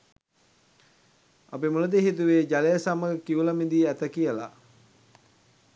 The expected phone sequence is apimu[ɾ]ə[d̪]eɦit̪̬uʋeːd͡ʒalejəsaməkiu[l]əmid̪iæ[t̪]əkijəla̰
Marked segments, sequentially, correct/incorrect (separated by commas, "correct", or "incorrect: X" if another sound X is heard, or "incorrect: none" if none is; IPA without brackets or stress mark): incorrect: l, correct, correct, correct